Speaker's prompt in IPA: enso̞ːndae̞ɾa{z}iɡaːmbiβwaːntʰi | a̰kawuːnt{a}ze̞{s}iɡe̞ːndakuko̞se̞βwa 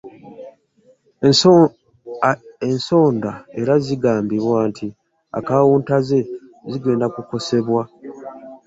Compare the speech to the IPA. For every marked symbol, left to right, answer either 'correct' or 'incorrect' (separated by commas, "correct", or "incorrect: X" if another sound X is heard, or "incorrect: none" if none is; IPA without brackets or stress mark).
correct, correct, incorrect: z